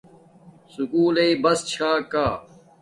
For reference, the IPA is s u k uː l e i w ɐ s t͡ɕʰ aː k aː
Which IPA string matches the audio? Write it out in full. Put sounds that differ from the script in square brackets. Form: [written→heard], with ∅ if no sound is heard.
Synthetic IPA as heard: s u k uː l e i [w→b] ɐ s t͡ɕʰ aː k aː